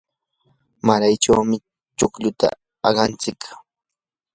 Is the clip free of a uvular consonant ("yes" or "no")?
no